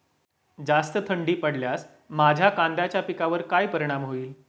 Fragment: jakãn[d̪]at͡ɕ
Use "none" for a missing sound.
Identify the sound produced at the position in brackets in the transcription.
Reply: d̪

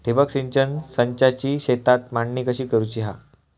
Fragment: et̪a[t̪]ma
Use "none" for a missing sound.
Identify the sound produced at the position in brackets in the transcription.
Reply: t̪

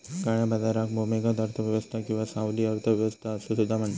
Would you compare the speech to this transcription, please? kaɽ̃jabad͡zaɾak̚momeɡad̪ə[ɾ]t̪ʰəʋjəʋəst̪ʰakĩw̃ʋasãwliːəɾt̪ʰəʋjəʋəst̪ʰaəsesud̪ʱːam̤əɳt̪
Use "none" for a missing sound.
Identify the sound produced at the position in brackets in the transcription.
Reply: ɾ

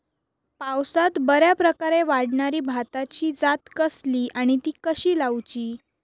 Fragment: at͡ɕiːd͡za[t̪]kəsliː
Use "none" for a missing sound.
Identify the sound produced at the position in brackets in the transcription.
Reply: t̪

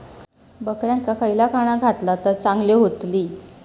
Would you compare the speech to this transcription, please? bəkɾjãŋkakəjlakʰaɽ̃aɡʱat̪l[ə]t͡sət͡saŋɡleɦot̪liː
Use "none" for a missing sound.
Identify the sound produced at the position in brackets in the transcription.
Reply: a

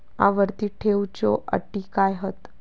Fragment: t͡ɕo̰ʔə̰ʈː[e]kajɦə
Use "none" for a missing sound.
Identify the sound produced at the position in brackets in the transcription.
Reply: i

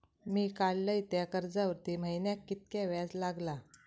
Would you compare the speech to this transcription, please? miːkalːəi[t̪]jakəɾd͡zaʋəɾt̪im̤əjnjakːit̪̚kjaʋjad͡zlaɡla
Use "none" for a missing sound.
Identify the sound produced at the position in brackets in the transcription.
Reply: t̪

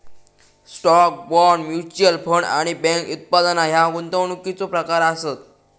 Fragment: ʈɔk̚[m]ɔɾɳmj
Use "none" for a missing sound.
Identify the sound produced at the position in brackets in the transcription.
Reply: b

